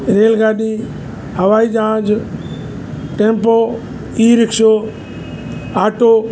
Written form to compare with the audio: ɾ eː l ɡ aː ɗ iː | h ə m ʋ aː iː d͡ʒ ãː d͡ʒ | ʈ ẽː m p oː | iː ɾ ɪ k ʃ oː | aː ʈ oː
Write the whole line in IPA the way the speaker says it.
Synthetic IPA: ɾ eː l ɡ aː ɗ iː | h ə ʋ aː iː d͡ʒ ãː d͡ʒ | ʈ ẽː m p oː | iː ɾ ɪ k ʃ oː | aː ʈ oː